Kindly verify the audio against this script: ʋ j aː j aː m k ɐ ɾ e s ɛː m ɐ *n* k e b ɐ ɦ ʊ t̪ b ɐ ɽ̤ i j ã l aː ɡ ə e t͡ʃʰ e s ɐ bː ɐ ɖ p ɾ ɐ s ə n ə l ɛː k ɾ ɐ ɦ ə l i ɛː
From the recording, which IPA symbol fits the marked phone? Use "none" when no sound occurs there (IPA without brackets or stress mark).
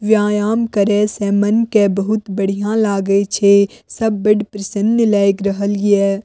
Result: n